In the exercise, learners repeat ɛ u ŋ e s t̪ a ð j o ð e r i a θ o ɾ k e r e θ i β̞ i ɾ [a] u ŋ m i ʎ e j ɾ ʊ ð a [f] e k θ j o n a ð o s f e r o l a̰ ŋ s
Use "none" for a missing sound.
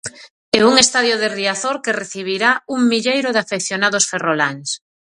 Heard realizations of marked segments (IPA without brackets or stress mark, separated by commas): a, f